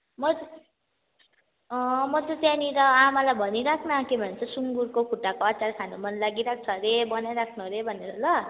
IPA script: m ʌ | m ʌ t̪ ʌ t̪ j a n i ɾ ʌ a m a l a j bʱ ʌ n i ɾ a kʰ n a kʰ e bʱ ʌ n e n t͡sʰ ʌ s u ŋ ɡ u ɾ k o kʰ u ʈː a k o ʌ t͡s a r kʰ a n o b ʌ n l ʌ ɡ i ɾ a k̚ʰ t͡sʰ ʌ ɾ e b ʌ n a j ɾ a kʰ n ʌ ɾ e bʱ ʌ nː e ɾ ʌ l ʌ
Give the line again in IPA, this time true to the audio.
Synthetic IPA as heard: m ʌ | m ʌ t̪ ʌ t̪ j a n i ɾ ʌ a m a l a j bʱ ʌ n i ɾ a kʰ n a k e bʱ ʌ n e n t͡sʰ ʌ s u ŋ ɡ u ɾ k o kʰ u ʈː a k o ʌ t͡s a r kʰ a n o m ʌ n l a ɡ i ɾ a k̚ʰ t͡sʰ ʌ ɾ e b ʌ n a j ɾ a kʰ n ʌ ɾ e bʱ ʌ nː e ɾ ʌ l ʌ